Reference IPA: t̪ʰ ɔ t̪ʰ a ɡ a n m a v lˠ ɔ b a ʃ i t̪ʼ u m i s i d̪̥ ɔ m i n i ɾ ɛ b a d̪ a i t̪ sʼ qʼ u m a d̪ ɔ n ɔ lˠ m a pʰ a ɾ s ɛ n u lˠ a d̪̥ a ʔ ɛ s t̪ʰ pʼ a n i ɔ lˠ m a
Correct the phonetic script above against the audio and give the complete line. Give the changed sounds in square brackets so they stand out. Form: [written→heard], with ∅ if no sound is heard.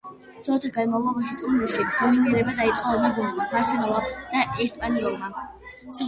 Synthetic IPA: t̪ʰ ɔ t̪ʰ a ɡ a n m a v lˠ ɔ b a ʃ i t̪ʼ u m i [s→ʃ] i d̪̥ ɔ m i n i ɾ ɛ b a d̪ a i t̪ sʼ qʼ [u→ɔ] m a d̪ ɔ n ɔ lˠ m a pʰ a ɾ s ɛ n [u→ɔ] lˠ a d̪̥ a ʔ ɛ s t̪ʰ pʼ a n i ɔ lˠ m a